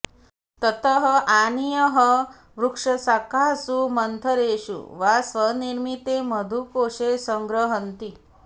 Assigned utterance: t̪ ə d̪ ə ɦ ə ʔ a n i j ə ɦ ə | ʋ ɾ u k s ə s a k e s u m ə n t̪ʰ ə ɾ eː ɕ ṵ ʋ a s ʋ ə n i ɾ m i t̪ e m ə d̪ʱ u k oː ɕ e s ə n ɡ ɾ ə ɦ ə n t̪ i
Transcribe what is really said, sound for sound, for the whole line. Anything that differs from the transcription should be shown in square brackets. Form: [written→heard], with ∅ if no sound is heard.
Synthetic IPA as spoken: t̪ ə [d̪→t̪] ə ɦ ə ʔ a n i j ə ɦ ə | ʋ ɾ u k [s→ʂ] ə s a k [e→a] s u m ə n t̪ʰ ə ɾ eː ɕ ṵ ʋ a s ʋ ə n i ɾ m i t̪ e m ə d̪ʱ u k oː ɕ e s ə [n→ŋ] ɡ ɾ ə ɦ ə n t̪ i